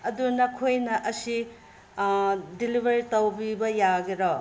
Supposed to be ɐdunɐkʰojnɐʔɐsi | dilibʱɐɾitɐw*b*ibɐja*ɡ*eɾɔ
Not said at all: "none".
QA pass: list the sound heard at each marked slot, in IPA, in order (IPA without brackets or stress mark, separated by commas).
b, ɡ